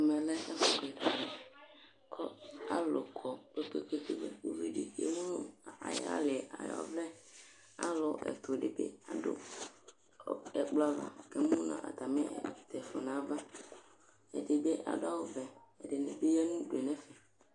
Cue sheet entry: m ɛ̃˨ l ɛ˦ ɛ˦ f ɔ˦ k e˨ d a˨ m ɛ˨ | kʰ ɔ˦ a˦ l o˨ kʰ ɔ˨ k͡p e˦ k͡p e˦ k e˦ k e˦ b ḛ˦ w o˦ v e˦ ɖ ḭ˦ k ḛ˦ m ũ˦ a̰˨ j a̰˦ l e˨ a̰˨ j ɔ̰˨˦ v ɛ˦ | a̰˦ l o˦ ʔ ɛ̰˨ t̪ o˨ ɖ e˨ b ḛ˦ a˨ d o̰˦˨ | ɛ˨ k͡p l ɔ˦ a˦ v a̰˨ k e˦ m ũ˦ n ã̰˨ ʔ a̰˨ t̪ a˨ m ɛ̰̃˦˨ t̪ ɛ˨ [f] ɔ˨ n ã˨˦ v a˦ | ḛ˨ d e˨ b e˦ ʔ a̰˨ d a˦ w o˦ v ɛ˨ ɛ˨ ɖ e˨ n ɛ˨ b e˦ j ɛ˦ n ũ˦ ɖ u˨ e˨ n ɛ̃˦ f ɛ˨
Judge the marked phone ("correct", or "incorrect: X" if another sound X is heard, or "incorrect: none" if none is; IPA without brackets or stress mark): correct